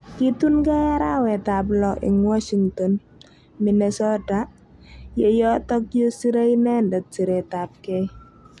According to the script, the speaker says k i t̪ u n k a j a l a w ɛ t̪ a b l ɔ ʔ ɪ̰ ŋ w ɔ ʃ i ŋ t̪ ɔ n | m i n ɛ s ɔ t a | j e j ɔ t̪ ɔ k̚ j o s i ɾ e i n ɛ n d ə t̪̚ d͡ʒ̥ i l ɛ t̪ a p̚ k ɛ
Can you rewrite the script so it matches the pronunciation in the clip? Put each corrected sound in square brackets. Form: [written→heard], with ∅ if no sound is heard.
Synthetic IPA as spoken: k i t̪ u n k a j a [l→ɾ] a w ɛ t̪ a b l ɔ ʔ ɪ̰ ŋ w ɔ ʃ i ŋ t̪ ɔ n | m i n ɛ s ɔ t a | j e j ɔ t̪ ɔ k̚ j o s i ɾ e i n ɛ n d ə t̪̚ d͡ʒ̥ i [l→ɾ] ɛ t̪ a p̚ k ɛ